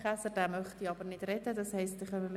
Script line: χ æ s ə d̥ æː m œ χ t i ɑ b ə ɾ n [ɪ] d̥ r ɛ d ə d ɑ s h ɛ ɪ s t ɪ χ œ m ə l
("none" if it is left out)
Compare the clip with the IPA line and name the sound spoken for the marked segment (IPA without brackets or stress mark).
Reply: ɪ